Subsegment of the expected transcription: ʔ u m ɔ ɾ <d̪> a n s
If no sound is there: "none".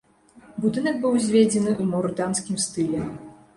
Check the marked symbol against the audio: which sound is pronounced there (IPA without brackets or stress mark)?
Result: d̪